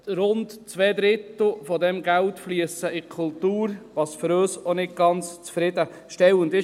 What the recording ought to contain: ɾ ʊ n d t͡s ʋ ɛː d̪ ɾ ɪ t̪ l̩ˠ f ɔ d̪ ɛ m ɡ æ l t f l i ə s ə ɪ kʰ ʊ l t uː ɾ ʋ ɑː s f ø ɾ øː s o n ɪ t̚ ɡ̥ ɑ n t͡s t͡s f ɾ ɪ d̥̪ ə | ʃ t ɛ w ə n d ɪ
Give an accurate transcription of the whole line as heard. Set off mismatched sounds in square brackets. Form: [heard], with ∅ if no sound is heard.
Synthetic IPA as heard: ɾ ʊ n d t͡s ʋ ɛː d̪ ɾ ɪ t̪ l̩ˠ f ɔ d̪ ɛ m ɡ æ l t f l i ə s ə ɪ kʰ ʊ l t uː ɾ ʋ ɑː s f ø ɾ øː s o n ɪ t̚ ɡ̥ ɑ n t͡s t͡s f ɾ ɪ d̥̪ ə | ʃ t ɛ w ə n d ɪ